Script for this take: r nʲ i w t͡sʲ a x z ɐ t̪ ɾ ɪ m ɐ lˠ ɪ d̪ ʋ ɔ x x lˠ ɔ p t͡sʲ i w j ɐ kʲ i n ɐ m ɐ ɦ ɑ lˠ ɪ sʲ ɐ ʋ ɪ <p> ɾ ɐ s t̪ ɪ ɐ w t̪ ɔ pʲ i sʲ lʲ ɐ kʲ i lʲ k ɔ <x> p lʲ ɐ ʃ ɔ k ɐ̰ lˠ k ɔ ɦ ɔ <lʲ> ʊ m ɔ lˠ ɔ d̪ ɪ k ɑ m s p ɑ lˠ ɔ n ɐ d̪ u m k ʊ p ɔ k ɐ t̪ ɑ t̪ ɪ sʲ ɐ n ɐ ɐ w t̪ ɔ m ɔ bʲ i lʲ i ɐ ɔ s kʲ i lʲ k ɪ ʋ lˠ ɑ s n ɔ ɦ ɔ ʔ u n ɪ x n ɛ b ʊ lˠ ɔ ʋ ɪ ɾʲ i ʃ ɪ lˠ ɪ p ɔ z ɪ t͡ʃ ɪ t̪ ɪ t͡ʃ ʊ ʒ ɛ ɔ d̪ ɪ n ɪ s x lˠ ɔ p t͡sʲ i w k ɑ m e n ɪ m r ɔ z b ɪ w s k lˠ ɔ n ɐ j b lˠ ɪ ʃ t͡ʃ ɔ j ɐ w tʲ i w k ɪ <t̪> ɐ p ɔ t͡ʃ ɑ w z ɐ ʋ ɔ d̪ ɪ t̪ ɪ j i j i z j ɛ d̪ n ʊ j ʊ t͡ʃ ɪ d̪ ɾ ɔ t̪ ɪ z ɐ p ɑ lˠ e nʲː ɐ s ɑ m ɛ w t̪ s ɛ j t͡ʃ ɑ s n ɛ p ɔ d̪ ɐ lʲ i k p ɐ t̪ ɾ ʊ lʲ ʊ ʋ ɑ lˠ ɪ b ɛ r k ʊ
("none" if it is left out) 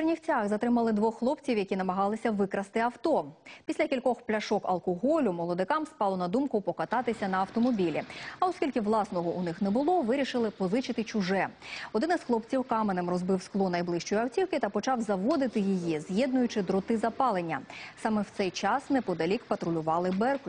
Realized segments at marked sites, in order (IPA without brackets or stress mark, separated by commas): k, x, lʲ, t̪